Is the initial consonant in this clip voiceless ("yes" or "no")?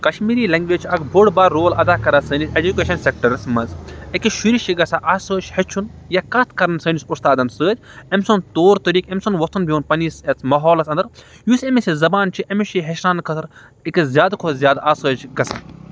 yes